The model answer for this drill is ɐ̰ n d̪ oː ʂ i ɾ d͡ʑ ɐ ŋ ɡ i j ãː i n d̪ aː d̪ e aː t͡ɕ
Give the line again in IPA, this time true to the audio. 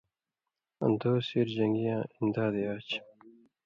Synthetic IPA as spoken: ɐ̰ n d̪ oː s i ɾ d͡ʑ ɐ ŋ ɡ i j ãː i n d̪ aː d̪ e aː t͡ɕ